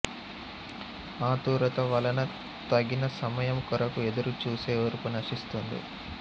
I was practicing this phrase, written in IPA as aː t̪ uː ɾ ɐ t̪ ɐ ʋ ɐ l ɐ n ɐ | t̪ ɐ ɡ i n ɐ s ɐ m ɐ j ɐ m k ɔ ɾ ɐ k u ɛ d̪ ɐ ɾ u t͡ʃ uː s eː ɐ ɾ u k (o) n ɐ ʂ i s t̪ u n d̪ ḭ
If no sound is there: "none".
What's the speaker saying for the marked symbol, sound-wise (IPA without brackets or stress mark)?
u